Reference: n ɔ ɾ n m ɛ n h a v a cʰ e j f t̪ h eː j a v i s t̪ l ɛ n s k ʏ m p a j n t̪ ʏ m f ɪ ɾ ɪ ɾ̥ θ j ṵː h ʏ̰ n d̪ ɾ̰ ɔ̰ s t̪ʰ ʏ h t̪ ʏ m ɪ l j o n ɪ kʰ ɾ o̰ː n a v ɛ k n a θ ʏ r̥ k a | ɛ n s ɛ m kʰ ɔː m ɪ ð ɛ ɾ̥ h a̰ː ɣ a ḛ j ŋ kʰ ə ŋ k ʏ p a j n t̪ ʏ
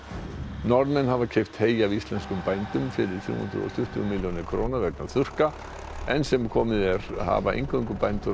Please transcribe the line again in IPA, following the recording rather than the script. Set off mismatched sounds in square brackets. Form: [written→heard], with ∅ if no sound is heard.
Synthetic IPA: n ɔ ɾ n m ɛ n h a v a cʰ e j f t̪ h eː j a v i s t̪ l ɛ n s k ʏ m p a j n t̪ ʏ m f ɪ ɾ ɪ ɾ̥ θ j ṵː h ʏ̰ n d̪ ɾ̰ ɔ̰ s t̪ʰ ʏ h t̪ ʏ m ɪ l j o n ɪ kʰ ɾ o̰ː n a v ɛ k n a θ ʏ r̥ k a | ɛ n s ɛ m kʰ ɔː m ɪ ð ɛ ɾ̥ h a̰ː [ɣ→v] a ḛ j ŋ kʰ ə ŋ k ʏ p a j n t̪ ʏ